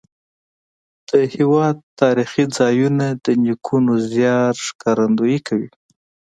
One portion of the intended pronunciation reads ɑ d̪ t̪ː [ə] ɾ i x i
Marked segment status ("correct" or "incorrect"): incorrect